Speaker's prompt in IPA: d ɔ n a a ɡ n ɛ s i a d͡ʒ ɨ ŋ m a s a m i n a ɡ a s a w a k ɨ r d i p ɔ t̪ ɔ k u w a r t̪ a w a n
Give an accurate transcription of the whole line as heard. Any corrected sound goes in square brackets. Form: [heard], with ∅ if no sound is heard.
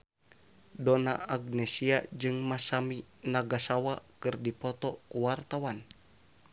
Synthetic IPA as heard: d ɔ n a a ɡ n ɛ s i a d͡ʒ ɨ ŋ m a s a m i n a ɡ a s a w a k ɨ r d i p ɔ t̪ ɔ k u w a r t̪ a w a n